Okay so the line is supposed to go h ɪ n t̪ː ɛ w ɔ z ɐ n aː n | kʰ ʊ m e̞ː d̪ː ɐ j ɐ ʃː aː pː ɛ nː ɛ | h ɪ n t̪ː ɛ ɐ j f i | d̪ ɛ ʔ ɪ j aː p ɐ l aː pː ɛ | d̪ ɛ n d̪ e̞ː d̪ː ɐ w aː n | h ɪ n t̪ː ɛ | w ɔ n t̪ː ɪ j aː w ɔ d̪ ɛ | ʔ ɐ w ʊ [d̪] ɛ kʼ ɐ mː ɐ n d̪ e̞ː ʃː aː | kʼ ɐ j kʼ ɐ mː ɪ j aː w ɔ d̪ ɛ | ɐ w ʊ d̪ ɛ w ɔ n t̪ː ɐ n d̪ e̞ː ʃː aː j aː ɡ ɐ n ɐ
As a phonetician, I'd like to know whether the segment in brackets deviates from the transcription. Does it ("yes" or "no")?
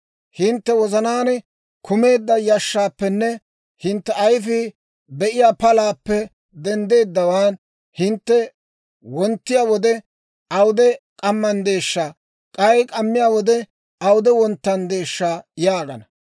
no